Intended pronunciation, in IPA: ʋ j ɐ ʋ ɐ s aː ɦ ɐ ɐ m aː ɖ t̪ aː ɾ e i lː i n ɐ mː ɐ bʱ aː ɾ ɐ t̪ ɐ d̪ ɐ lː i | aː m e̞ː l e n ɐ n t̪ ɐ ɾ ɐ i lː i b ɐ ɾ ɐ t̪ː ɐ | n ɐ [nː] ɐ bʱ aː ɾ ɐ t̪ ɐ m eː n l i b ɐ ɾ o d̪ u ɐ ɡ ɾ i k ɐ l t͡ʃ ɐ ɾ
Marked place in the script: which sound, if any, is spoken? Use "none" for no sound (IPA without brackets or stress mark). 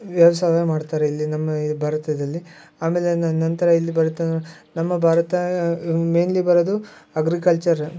mː